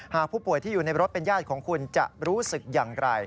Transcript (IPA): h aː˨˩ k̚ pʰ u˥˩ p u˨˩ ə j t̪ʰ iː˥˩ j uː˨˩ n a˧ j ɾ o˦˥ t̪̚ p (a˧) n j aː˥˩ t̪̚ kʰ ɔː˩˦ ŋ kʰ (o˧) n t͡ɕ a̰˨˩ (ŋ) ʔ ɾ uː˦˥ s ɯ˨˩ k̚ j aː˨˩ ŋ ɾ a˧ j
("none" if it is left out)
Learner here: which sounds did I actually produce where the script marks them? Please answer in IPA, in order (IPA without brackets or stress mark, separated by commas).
e˧, u˧, none